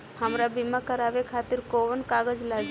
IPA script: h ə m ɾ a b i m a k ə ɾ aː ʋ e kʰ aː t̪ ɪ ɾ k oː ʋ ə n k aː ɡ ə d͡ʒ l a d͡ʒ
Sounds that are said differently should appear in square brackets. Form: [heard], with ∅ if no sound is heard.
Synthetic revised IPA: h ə m ɾ a b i m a k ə ɾ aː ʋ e kʰ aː t̪ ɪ ɾ k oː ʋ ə n k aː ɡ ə d͡ʒ l a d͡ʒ